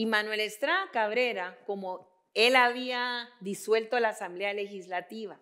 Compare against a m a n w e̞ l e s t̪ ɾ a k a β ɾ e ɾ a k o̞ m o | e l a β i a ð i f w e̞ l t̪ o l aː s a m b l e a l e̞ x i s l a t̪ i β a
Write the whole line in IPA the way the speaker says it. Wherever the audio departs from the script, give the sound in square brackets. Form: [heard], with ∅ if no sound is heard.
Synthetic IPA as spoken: [i] m a n w e̞ l e s t̪ ɾ a k a β ɾ e ɾ a k o̞ m o | e l a β i a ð i [s] w e̞ l t̪ o l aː s a m b l e a l e̞ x i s l a t̪ i β a